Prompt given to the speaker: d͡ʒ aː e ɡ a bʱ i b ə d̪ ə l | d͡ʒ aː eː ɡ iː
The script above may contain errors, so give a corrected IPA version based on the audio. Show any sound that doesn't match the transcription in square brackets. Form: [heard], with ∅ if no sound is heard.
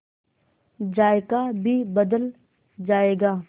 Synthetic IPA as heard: d͡ʒ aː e [k] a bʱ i b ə d̪ ə l | d͡ʒ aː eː ɡ [aː]